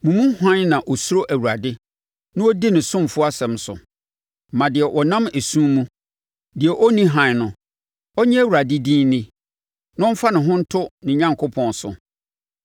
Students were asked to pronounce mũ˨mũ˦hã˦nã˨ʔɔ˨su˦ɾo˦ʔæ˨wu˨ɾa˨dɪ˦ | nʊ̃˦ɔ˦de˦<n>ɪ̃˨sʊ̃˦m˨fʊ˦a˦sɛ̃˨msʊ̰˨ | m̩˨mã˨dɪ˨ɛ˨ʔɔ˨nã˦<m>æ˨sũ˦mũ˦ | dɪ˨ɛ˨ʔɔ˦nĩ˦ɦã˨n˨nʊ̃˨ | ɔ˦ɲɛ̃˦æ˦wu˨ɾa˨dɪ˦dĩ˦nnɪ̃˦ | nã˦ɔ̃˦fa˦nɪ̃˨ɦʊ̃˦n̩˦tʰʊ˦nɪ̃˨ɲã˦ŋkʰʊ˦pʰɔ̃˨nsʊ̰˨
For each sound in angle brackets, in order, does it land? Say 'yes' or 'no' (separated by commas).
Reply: yes, yes